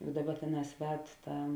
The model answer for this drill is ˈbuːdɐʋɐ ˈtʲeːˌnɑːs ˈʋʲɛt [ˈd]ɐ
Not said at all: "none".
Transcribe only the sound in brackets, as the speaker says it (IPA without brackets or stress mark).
t